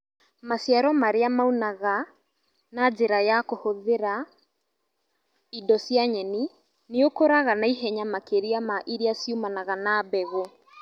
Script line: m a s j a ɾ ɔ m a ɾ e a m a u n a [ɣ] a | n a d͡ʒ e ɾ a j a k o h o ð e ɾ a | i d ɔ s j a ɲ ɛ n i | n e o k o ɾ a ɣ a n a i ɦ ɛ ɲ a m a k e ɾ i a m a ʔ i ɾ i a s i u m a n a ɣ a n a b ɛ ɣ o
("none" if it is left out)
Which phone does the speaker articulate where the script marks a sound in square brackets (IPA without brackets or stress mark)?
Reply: ɣ